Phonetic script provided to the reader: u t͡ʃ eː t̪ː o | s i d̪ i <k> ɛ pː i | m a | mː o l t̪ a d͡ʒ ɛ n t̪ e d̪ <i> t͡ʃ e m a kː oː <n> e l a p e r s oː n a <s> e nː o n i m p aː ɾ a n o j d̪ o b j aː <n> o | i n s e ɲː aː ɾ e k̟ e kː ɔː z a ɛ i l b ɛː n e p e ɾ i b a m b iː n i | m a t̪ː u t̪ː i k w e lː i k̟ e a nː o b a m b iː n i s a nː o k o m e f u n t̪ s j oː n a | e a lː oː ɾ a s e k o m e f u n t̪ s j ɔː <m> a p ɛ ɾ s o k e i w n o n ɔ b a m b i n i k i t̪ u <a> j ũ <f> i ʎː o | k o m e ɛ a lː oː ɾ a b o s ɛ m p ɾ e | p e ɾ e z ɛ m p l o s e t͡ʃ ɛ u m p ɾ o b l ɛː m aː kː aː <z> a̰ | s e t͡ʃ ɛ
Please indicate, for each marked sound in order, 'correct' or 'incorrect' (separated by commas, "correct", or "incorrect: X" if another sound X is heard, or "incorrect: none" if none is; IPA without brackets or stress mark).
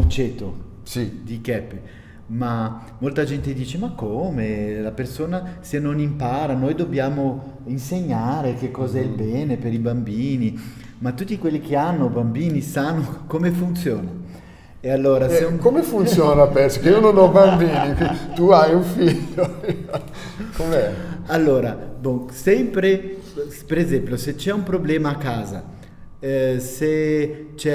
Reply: correct, incorrect: iː, incorrect: m, correct, incorrect: m, incorrect: n, correct, correct, correct